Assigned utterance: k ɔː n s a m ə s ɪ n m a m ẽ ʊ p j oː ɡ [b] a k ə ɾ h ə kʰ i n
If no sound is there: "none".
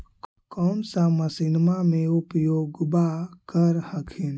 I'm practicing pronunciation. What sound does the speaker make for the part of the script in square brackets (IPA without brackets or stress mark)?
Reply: b